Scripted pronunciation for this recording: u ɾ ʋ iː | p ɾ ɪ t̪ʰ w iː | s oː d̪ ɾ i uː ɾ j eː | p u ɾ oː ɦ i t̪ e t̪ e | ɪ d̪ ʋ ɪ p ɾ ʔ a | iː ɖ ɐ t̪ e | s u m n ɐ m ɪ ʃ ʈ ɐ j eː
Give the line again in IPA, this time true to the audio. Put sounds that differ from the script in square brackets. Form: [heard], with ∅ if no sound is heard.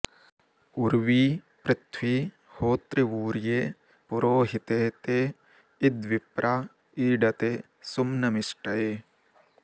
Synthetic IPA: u ɾ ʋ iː | p ɾ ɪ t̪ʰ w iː | [h] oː [t̪] ɾ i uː ɾ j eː | p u ɾ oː ɦ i t̪ e t̪ e | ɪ d̪ ʋ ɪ p ɾ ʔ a | iː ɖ ɐ t̪ e | s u m n ɐ m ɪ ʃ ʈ ɐ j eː

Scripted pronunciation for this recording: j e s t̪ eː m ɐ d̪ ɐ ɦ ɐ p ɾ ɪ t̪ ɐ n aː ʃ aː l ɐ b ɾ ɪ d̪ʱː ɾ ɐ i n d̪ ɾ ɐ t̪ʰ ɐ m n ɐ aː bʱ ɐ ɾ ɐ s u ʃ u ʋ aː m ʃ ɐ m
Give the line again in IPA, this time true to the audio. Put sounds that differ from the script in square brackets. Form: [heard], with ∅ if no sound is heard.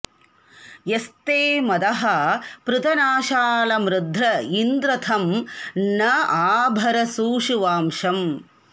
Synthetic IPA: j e s t̪ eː m ɐ d̪ ɐ ɦ ɐ p ɾ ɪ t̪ ɐ n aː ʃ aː l ɐ [m] ɾ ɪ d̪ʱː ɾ ɐ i n d̪ ɾ ɐ t̪ʰ ɐ m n ɐ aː bʱ ɐ ɾ ɐ s [uː] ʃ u ʋ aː m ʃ ɐ m

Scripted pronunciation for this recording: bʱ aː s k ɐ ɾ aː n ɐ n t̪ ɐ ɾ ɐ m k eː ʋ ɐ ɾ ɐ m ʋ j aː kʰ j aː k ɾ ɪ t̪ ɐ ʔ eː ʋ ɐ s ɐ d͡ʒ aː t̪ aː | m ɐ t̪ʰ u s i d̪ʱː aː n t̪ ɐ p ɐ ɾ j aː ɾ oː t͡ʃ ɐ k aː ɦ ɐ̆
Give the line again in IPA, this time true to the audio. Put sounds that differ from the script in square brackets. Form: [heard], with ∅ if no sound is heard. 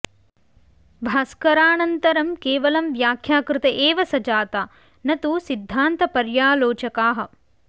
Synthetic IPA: bʱ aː s k ɐ ɾ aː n ɐ n t̪ ɐ ɾ ɐ m k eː ʋ ɐ [l] ɐ m ʋ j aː kʰ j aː k ɾ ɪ t̪ ɐ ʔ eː ʋ ɐ s ɐ d͡ʒ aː t̪ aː | [n] ɐ [t̪] u s i d̪ʱː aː n t̪ ɐ p ɐ ɾ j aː [l] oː t͡ʃ ɐ k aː ɦ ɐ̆

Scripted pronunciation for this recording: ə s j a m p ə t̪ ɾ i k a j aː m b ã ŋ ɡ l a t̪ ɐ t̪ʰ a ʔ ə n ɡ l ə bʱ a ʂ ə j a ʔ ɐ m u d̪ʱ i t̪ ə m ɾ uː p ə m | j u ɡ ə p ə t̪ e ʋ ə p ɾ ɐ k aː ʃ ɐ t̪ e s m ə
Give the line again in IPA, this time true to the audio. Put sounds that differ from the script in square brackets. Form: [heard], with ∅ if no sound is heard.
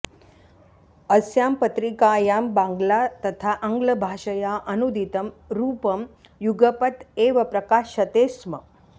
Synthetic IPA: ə s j a m p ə t̪ ɾ i k a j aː m b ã ŋ ɡ l a t̪ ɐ t̪ʰ a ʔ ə [ŋ] ɡ l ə bʱ a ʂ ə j a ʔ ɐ [n] u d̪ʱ i t̪ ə m ɾ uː p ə m | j u ɡ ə p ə t̪ e ʋ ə p ɾ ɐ k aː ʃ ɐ t̪ e s m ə

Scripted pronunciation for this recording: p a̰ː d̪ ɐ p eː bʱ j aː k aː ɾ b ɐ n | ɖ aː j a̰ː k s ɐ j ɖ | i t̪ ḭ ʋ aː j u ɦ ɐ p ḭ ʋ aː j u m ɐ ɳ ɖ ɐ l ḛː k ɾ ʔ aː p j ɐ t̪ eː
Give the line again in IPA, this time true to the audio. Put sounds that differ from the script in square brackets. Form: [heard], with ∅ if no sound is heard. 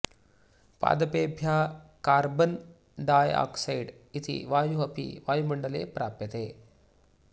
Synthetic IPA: p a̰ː d̪ ɐ p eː bʱ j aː k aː ɾ b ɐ n | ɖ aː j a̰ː k s ɐ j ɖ | i t̪ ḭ ʋ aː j u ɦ ɐ p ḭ ʋ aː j u m ɐ ɳ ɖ ɐ l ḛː [p] ɾ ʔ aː p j ɐ t̪ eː

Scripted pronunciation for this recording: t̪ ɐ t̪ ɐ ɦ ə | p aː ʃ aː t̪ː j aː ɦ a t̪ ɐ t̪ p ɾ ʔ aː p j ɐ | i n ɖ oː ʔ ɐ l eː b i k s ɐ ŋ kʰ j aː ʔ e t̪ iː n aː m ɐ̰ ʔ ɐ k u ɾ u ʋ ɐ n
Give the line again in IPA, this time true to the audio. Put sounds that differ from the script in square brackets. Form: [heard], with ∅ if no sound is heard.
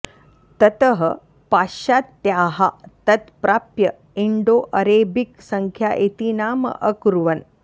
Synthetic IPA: t̪ ɐ t̪ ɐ ɦ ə | p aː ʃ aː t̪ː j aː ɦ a t̪ ɐ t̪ p ɾ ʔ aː p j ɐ | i [ɳ] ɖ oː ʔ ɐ [ɾ] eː b i k s ɐ ŋ kʰ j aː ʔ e t̪ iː n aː m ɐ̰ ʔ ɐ k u ɾ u ʋ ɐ n

